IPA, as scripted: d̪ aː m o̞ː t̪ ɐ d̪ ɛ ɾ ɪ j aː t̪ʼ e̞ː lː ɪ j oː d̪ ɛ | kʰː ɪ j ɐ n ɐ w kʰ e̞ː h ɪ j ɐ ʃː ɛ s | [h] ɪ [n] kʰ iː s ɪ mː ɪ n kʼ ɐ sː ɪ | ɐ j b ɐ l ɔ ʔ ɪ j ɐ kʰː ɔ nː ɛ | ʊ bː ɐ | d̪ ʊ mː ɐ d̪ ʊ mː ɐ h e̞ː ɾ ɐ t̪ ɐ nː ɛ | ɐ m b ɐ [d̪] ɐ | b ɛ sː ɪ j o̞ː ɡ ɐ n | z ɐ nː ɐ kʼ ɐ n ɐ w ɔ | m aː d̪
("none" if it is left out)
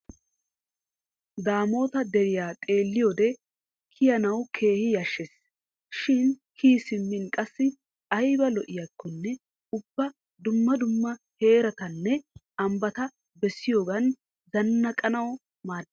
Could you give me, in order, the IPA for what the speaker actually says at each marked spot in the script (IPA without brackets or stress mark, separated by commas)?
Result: ʃ, n, t̪